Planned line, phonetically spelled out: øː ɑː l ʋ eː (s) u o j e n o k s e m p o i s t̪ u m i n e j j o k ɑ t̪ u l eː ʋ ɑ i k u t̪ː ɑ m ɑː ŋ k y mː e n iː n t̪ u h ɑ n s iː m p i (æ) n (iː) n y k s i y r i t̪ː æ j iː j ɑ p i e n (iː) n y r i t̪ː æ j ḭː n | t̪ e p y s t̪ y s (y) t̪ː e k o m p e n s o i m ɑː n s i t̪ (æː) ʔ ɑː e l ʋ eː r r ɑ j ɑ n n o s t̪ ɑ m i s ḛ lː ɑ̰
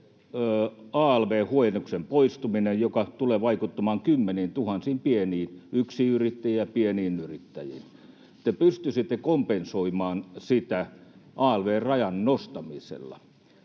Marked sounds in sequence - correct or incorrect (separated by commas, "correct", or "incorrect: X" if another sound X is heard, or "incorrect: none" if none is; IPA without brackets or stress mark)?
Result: incorrect: h, incorrect: e, correct, correct, incorrect: i, incorrect: æ